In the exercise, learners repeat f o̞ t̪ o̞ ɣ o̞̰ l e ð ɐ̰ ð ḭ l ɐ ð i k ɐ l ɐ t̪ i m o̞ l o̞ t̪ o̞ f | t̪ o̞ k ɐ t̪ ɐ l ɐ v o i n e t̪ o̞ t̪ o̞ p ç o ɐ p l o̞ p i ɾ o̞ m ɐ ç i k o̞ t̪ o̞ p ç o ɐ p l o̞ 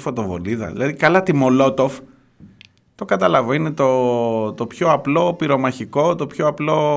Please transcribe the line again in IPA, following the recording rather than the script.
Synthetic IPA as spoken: f o̞ t̪ o̞ v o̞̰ l i ð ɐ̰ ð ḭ l ɐ ð i k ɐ l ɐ t̪ i m o̞ l o̞ t̪ o̞ f | t̪ o̞ k ɐ t̪ ɐ l ɐ v o i n e t̪ o̞ t̪ o̞ p ç o ɐ p l o̞ p i ɾ o̞ m ɐ ç i k o̞ t̪ o̞ p ç o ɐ p l o̞